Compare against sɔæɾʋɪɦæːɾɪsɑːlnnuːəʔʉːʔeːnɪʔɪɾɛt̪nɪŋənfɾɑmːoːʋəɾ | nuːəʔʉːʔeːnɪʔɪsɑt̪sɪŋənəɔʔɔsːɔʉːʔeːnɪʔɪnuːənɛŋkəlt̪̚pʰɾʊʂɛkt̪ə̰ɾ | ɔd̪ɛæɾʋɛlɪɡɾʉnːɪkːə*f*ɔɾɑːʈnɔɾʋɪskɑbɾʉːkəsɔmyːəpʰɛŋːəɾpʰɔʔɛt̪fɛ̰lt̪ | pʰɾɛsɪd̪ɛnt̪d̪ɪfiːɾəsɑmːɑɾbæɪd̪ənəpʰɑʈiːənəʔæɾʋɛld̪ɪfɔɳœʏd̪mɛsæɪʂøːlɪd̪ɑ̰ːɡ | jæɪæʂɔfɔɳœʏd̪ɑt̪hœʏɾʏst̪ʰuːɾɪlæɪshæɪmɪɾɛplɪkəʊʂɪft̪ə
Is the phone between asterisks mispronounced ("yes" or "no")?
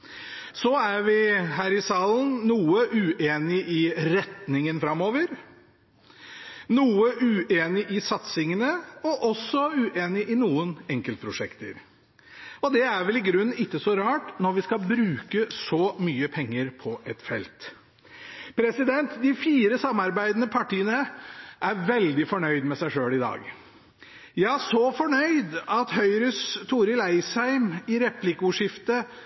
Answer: yes